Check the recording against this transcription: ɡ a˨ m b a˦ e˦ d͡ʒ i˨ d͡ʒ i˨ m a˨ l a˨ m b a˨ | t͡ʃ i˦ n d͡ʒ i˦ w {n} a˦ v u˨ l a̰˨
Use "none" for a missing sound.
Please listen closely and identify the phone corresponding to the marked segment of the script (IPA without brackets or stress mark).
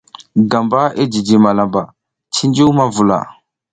m